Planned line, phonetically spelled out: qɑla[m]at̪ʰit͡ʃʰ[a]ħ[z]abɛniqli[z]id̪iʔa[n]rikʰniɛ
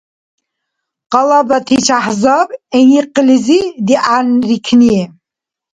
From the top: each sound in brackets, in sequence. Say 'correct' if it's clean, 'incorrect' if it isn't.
incorrect: b, correct, correct, correct, correct

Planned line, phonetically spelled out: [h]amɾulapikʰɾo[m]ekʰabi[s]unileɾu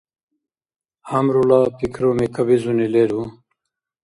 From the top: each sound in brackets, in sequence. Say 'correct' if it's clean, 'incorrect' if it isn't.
correct, correct, incorrect: z

